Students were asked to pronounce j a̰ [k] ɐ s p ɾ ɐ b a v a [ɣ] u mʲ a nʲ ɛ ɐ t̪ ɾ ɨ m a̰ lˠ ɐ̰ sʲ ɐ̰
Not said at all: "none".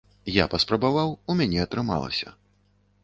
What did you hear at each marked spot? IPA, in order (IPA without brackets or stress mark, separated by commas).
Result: p, w